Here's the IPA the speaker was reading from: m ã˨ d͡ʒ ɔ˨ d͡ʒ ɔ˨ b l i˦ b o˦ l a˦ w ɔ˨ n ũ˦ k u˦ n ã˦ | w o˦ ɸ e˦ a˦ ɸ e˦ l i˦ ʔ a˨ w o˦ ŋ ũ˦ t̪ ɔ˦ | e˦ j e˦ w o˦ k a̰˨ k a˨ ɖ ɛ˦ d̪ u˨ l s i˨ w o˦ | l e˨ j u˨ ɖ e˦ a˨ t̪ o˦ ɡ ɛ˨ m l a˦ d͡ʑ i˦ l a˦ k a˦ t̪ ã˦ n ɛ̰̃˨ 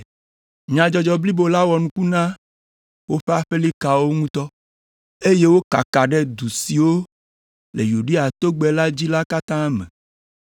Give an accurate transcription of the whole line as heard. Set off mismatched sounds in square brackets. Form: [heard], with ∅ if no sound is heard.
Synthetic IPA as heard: [ɲ] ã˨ d͡ʒ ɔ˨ d͡ʒ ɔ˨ b l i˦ b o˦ l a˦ w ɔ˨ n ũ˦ k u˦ n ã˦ | w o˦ ɸ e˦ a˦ ɸ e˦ l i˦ [k] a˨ w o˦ ŋ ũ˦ t̪ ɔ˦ | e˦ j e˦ w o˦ k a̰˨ k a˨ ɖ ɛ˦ d̪ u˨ [∅] s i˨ w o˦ | l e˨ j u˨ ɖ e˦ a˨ t̪ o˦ [ɡ͡b] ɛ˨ [∅] l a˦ d͡ʑ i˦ l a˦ k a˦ t̪ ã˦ [m] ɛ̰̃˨